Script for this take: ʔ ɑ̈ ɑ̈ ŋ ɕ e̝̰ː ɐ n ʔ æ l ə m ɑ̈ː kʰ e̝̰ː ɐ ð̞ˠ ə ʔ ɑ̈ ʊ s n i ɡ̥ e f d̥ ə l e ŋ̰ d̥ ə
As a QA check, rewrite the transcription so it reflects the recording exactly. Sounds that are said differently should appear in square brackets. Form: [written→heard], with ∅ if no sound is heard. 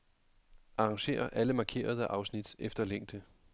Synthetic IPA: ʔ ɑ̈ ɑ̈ ŋ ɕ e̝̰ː ɐ [n→∅] ʔ æ l ə m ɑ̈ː kʰ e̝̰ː ɐ ð̞ˠ ə ʔ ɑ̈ ʊ s n i [ɡ̥→d̥] e f d̥ [ə→ɐ] l e ŋ̰ d̥ ə